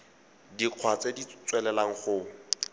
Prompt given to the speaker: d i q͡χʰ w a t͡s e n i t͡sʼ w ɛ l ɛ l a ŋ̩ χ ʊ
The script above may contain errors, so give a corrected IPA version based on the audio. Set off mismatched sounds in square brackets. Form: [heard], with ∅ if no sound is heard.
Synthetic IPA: d i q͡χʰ w a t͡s e [d] i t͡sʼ w ɛ l ɛ l a ŋ̩ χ ʊ

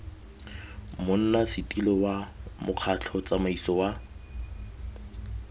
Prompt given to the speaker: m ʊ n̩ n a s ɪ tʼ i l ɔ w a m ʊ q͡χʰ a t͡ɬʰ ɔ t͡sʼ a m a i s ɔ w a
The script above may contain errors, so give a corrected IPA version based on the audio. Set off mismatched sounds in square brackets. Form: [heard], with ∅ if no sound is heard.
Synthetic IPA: m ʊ n̩ n a s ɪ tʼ i l ɔ w a m ʊ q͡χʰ a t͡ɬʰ ɔ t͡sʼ a m a i s ɔ w a

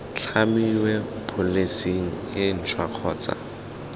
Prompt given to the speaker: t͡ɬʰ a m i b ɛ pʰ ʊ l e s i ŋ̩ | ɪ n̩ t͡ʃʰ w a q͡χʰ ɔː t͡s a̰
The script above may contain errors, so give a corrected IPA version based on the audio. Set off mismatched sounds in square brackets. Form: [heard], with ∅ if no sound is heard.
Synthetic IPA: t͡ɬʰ a m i [w] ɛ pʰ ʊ l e s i ŋ̩ | ɪ n̩ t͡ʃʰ w a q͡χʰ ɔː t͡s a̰

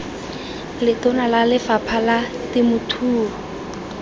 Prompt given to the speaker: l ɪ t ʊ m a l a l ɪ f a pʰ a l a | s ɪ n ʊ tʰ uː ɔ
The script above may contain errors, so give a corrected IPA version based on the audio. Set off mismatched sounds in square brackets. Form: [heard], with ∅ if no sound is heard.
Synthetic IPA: l ɪ t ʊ [n] a l a l ɪ f a pʰ a l a | [t] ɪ [m] ʊ tʰ uː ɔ

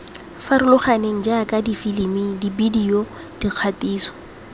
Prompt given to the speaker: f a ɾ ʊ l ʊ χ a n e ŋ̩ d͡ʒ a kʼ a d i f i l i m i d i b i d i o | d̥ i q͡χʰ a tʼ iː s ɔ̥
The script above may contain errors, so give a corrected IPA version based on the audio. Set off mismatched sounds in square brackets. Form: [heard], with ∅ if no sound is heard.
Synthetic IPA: f a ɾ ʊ l ʊ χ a n e ŋ̩ d͡ʒ a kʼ a d i f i l i m i d i b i d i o | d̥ i q͡χʰ a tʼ iː s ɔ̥

